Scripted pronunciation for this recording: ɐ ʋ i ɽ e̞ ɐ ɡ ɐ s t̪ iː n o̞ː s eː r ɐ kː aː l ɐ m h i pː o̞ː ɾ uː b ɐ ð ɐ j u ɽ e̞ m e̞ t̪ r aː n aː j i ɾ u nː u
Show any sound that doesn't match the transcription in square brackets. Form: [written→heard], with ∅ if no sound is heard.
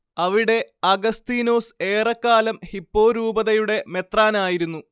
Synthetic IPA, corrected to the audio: ɐ ʋ i ɽ e̞ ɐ ɡ ɐ s t̪ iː n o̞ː s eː r ɐ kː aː l ɐ m h i pː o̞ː ɾ uː b ɐ ð ɐ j u ɽ e̞ m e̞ t̪ r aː n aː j i ɾ u nː u